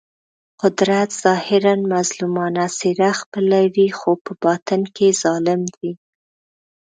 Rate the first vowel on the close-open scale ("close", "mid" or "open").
close